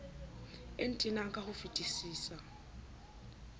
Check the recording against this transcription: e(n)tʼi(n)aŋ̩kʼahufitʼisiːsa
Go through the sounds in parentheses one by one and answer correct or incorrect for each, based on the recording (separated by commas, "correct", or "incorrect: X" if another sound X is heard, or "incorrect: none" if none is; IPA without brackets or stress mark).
correct, correct